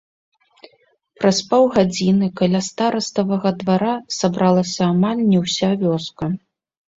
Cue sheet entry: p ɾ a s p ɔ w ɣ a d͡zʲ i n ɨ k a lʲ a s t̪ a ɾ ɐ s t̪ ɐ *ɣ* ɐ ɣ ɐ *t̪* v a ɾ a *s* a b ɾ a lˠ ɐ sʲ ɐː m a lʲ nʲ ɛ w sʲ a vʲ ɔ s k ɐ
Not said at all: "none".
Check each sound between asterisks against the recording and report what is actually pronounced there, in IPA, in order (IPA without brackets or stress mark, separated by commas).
v, d̪, s